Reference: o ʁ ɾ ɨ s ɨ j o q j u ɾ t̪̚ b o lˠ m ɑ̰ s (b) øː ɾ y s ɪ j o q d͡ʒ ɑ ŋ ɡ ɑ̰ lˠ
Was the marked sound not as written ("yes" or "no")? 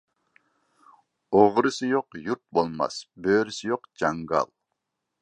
no